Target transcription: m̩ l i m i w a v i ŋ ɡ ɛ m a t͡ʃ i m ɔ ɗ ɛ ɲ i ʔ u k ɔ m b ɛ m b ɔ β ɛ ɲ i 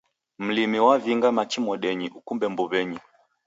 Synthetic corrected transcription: m̩ l i m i w a v i ŋ ɡ a m a t͡ʃ i m ɔ ɗ ɛ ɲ i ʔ u k u m b ɛ m b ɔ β ɛ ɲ i